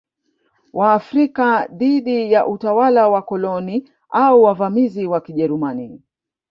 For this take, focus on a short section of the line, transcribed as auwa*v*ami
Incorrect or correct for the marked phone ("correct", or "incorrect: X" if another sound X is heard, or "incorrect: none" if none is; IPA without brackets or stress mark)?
correct